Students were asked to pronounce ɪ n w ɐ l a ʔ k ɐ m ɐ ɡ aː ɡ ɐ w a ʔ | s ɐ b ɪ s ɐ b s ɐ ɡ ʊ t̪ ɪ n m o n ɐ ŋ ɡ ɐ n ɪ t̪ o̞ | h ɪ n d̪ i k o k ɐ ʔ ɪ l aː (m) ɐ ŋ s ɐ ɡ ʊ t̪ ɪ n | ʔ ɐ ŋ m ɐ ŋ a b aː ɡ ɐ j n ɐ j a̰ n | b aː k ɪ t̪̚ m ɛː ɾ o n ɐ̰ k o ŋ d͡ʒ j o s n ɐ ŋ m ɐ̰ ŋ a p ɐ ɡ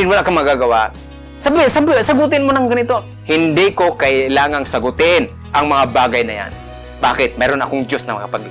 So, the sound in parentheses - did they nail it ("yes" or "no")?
no